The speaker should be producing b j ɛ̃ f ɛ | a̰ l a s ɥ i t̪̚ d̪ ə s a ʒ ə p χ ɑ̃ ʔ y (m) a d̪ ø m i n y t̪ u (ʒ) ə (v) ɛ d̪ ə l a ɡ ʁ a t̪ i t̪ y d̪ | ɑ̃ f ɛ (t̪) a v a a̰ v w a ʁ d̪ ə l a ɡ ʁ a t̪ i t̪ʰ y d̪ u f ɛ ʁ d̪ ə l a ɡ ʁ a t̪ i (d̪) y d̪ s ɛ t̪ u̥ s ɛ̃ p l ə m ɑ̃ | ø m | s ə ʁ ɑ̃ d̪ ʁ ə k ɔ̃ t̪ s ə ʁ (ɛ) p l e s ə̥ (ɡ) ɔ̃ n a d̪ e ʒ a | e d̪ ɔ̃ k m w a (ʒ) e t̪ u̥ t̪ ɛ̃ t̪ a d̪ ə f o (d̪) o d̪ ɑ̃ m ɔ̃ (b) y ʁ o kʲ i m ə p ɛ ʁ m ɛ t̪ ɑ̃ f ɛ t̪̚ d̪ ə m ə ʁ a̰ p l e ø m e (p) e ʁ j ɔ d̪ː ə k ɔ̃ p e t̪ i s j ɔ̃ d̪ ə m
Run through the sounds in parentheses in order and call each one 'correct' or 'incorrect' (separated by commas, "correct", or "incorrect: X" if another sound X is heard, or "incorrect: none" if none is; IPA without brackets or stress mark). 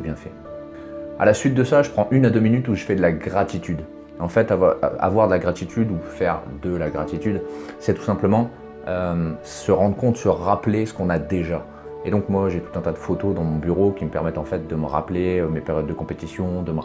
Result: incorrect: n, correct, incorrect: f, correct, incorrect: t̪, incorrect: a, incorrect: k, correct, incorrect: t̪, correct, correct